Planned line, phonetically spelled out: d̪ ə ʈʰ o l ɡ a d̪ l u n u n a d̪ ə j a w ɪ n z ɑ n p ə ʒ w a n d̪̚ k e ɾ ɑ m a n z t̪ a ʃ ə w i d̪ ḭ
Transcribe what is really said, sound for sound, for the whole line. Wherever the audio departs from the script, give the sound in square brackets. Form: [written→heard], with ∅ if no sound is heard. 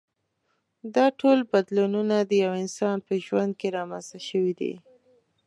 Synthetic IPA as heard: d̪ [ə→ɑ] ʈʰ o l [ɡ→b] a d̪ l u n u n a d̪ ə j a w ɪ n [z→s] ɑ n p ə ʒ w a n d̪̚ k e ɾ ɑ m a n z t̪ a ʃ ə w i d̪ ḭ